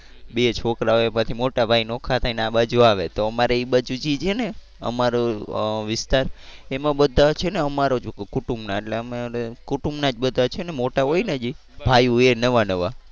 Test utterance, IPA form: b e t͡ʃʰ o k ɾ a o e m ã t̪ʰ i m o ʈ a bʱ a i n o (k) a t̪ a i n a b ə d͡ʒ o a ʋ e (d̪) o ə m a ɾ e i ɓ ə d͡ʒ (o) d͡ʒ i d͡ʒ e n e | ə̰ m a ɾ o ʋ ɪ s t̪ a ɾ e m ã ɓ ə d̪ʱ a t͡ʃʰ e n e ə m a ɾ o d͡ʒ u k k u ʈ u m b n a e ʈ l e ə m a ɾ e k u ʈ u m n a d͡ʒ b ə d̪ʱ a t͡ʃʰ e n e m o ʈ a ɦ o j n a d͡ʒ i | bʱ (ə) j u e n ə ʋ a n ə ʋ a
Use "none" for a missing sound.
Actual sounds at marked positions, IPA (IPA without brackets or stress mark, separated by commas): kʰ, t̪, u, a